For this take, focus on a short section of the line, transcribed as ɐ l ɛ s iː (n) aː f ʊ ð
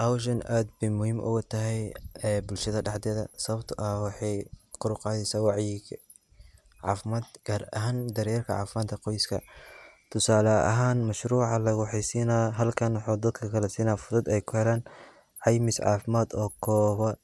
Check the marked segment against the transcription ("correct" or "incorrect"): correct